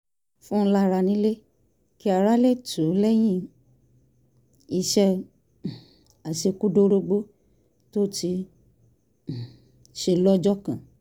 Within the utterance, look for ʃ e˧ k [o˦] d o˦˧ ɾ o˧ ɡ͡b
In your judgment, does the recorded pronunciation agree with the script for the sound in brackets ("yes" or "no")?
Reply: no